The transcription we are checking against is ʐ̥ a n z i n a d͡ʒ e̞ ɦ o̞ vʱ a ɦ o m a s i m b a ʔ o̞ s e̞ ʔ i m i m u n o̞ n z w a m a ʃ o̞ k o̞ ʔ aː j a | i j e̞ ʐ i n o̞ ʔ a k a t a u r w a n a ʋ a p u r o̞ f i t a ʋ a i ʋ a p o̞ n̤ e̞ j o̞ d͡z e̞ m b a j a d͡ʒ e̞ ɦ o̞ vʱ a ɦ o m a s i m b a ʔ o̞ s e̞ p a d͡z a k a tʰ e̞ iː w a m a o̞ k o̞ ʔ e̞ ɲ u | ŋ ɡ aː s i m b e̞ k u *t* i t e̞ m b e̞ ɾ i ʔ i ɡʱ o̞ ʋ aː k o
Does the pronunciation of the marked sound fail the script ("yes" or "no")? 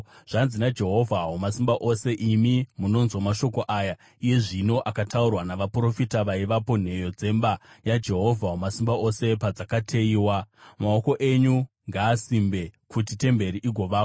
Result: no